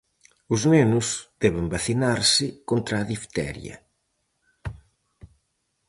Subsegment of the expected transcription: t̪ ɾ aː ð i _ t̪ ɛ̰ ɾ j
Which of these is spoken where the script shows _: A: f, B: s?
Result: A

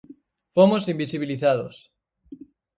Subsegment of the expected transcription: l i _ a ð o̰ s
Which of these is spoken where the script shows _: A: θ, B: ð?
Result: A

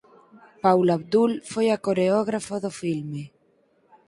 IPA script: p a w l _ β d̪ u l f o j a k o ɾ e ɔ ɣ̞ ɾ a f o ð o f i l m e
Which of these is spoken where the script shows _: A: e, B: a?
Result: B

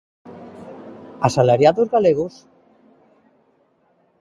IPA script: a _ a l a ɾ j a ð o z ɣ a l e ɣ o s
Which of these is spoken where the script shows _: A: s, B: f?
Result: A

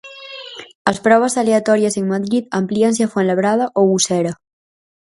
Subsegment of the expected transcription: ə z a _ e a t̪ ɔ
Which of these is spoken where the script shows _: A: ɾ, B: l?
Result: B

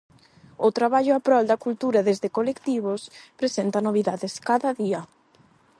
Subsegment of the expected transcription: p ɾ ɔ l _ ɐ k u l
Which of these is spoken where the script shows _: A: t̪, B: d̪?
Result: B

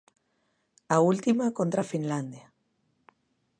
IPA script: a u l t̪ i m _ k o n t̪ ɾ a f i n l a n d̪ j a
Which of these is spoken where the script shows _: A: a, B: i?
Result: A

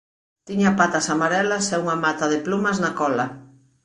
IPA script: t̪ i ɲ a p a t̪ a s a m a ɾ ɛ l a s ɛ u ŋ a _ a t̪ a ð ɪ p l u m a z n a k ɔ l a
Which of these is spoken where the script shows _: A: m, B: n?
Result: A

